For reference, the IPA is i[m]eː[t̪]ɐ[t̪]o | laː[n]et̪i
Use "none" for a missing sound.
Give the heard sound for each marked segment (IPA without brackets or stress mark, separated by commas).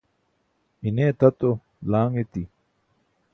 n, t̪, t̪, ŋ